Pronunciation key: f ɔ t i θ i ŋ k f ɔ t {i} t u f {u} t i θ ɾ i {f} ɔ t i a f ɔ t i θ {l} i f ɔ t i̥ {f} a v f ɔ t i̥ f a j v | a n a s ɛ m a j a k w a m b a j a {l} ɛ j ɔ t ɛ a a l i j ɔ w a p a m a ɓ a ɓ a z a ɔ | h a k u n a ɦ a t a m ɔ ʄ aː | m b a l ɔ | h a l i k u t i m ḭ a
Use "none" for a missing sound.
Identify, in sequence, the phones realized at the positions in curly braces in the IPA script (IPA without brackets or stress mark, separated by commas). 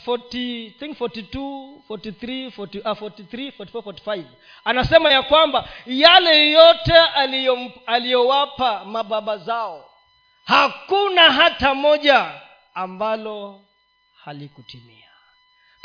i, ɔ, f, ɾ, f, l